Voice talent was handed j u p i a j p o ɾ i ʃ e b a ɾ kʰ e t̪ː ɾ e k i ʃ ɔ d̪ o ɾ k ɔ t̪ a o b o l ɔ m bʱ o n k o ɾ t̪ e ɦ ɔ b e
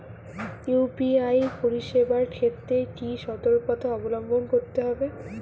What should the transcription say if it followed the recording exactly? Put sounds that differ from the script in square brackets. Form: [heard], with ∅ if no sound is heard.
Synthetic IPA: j u p i a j p o ɾ i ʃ e b a ɾ kʰ e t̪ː ɾ e k i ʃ ɔ [t̪] o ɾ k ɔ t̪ a [ɔ] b o l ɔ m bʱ o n k o ɾ t̪ e ɦ ɔ b e